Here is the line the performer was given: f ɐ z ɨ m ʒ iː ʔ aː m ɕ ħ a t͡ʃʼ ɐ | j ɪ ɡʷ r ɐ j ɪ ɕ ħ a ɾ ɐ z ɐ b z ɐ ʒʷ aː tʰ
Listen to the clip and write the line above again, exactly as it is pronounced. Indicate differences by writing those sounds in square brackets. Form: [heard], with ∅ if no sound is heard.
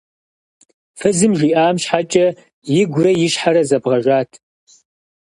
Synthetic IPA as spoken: f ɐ z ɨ m ʒ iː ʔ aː m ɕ ħ a t͡ʃʼ ɐ | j ɪ ɡʷ r ɐ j ɪ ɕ ħ a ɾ ɐ z ɐ b [ʁ] ɐ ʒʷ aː tʰ